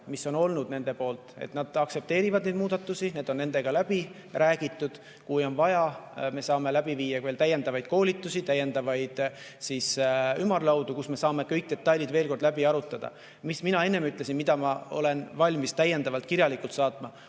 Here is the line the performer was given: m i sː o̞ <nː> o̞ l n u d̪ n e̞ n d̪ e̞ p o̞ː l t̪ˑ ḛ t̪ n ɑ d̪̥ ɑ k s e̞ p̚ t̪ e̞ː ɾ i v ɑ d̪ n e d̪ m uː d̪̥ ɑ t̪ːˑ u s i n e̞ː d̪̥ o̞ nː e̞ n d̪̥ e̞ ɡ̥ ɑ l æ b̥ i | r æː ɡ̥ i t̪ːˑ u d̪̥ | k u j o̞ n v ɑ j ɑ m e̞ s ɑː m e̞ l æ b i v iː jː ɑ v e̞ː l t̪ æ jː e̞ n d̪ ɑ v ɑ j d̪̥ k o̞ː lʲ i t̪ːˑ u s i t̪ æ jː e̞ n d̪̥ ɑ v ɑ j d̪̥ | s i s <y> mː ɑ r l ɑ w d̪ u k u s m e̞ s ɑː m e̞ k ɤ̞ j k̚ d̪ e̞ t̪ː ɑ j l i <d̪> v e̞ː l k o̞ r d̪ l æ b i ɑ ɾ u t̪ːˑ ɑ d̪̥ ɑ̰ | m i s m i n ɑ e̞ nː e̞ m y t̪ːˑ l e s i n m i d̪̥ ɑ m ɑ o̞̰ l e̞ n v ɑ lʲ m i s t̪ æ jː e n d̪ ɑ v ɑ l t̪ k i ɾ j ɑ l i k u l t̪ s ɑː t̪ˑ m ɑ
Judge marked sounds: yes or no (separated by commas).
no, yes, yes